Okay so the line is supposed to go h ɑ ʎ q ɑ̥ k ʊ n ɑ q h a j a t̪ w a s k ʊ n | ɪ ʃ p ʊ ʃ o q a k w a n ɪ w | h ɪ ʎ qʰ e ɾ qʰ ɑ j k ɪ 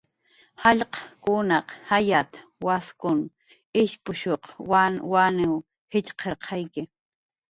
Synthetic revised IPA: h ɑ ʎ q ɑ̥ k ʊ n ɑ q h a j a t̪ w a s k ʊ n | ɪ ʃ p ʊ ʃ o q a w a n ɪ w | h ɪ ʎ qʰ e ɾ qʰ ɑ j k ɪ